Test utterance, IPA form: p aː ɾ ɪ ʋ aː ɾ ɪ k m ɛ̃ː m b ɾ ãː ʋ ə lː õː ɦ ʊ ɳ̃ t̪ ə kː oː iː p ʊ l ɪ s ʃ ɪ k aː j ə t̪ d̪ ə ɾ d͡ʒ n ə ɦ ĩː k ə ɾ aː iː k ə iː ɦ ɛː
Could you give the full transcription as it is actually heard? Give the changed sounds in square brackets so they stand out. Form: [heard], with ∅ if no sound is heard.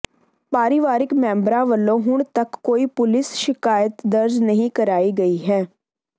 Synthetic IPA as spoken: p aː ɾ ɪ ʋ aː ɾ ɪ k m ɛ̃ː m b ɾ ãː ʋ ə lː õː ɦ ʊ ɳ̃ t̪ ə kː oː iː p ʊ l ɪ s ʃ ɪ k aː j ə t̪ d̪ ə ɾ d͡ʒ n ə ɦ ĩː k ə ɾ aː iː [ɡ] ə iː ɦ ɛː

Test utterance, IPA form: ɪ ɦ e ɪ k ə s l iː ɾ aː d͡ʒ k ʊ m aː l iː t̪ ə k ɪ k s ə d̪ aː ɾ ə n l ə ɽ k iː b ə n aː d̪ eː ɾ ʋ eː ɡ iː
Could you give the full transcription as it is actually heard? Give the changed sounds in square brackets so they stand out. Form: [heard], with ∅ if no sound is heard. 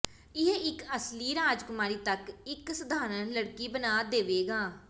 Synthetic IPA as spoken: ɪ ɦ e ɪ k ə s l iː ɾ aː d͡ʒ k ʊ m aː [ɾ] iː t̪ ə k ɪ k s ə d̪ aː ɾ ə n l ə ɽ k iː b ə n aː d̪ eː [∅] ʋ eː ɡ [aː]

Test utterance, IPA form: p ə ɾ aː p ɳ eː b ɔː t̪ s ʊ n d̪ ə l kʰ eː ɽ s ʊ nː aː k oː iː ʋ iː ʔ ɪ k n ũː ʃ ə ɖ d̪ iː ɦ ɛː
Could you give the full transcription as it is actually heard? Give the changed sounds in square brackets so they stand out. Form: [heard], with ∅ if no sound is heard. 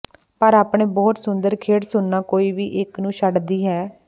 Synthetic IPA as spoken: p ə ɾ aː p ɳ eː b ɔː t̪ s ʊ n d̪ ə [ɾ] kʰ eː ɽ s ʊ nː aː k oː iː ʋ iː ʔ ɪ k n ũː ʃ ə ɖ d̪ iː ɦ ɛː

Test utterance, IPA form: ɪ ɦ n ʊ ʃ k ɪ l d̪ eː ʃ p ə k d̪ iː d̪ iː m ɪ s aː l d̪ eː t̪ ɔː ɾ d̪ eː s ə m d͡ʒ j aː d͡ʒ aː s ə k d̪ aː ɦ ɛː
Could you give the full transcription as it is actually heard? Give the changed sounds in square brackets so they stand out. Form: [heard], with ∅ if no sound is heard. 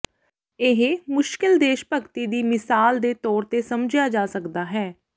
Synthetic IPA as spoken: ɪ ɦ [m] ʊ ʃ k ɪ l d̪ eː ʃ p ə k [t̪] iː d̪ iː m ɪ s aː l d̪ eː t̪ ɔː ɾ [t̪] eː s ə m d͡ʒ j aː d͡ʒ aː s ə k d̪ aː ɦ ɛː

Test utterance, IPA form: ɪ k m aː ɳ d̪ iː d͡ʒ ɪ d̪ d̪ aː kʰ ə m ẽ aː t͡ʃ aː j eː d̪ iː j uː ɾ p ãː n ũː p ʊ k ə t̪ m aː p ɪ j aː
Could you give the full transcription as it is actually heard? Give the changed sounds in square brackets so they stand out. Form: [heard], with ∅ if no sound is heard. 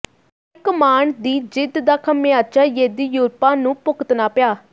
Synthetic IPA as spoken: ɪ k m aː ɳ d̪ iː d͡ʒ ɪ d̪ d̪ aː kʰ ə m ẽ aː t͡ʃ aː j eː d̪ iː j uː ɾ p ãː n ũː p ʊ k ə t̪ [n] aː p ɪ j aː

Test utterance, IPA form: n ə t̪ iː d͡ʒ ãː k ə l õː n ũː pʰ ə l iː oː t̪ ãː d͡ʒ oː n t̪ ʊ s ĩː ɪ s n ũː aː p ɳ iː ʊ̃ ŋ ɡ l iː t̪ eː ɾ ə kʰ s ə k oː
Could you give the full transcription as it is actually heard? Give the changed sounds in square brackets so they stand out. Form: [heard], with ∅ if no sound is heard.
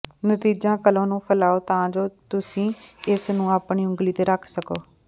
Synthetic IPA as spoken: n ə t̪ iː d͡ʒ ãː k ə l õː n ũː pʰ ə l [aː] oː t̪ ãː d͡ʒ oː [∅] t̪ ʊ s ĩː ɪ s n ũː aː p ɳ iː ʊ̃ ŋ ɡ l iː t̪ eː ɾ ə kʰ s ə k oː

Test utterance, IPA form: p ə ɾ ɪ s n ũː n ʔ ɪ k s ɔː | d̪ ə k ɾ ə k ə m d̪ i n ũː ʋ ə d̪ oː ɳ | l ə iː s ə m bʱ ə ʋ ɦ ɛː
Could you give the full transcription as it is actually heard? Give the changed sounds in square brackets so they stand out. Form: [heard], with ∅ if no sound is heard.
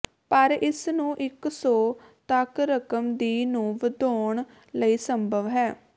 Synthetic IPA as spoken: p ə ɾ ɪ s n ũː [∅] ʔ ɪ k s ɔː | [t̪] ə k ɾ ə k ə m d̪ [iː] n ũː ʋ ə d̪ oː ɳ | l ə iː s ə m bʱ ə ʋ ɦ ɛː

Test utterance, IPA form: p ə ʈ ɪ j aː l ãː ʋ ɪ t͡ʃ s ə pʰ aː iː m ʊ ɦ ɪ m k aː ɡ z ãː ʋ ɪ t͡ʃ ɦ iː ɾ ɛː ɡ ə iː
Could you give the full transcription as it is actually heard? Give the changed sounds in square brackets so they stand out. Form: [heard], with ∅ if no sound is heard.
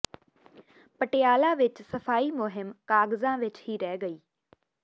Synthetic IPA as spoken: p ə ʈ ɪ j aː l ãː ʋ ɪ t͡ʃ s ə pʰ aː iː m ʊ ɦ ɪ m k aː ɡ z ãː ʋ ɪ t͡ʃ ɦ iː ɾ ɛː ɡ ə iː

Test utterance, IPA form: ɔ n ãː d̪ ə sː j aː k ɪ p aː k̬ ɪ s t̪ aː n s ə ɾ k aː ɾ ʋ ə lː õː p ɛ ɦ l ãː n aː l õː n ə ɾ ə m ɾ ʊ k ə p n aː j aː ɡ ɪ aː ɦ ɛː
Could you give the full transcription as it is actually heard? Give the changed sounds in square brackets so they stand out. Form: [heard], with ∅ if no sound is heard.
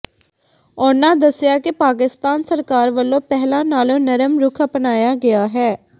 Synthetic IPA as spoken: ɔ n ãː d̪ ə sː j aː k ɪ p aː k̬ ɪ s t̪ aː n s ə ɾ k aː ɾ ʋ ə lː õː p ɛ ɦ l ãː n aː l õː n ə ɾ ə m ɾ ʊ [kʰ] ə p n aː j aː ɡ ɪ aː ɦ ɛː

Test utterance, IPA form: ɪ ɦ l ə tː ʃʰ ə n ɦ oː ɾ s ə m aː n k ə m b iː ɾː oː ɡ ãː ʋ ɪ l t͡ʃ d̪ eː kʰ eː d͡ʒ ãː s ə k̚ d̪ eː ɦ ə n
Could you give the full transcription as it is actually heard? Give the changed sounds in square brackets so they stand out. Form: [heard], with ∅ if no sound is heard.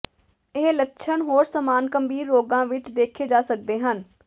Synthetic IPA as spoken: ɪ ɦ l ə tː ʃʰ ə n ɦ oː ɾ s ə m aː n k ə m b iː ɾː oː ɡ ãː ʋ ɪ [∅] t͡ʃ d̪ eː kʰ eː d͡ʒ [aː] s ə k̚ d̪ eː ɦ ə n

